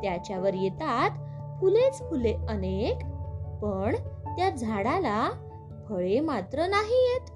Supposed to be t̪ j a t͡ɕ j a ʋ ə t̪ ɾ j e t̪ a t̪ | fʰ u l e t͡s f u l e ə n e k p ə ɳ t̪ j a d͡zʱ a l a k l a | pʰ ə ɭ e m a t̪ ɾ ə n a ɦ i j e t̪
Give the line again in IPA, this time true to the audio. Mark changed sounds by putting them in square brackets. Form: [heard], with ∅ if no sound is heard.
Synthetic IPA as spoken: t̪ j a t͡ɕ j a ʋ ə [∅] ɾ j e t̪ a t̪ | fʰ u l e t͡s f u l e ə n e k p ə ɳ t̪ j a d͡zʱ a [ɽ] a [∅] l a | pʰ ə ɭ e m a t̪ ɾ ə n a ɦ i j e t̪